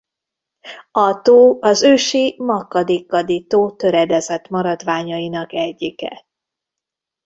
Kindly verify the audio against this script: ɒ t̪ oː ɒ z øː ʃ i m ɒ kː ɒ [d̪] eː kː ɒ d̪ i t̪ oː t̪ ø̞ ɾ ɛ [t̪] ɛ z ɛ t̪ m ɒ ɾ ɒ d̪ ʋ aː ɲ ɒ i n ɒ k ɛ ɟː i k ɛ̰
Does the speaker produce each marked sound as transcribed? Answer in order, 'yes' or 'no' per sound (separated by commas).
yes, no